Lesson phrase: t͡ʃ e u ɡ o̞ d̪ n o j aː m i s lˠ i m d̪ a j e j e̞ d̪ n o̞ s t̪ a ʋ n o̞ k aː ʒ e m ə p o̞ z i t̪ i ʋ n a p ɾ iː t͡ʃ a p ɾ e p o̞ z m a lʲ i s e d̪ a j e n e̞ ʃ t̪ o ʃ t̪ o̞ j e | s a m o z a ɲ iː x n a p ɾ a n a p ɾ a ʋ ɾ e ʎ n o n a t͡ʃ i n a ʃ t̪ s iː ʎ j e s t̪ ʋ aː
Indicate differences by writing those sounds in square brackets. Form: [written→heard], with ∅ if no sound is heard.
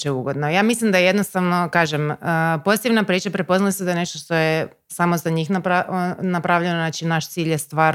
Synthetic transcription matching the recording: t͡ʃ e u ɡ o̞ d̪ n o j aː m i s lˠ i m d̪ a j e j e̞ d̪ n o̞ s t̪ a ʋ n o̞ k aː ʒ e m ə p o̞ z i t̪ i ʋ n a p ɾ iː t͡ʃ a p ɾ e p o̞ z [m→n] a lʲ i s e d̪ a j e n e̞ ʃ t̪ o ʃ t̪ o̞ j e | s a m o z a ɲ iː x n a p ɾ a n a p ɾ a ʋ [ɾ→ʎ] e [ʎ→∅] n o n a t͡ʃ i n a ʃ t̪ s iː ʎ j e s t̪ ʋ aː